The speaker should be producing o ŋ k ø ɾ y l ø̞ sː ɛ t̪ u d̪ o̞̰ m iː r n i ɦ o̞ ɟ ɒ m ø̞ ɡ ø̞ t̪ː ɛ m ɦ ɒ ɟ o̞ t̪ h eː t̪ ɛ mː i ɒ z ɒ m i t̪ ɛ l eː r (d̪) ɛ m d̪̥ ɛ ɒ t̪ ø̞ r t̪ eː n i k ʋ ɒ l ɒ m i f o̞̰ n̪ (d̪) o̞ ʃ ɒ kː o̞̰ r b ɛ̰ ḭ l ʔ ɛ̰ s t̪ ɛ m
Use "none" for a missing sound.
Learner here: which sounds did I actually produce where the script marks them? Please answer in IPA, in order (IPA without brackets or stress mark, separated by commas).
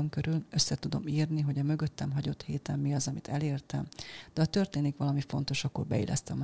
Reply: t̪, t̪